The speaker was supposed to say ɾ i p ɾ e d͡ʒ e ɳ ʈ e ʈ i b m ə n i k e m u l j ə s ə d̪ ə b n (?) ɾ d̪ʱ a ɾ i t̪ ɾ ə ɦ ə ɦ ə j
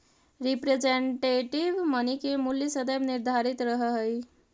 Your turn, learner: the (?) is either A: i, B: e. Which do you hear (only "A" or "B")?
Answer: A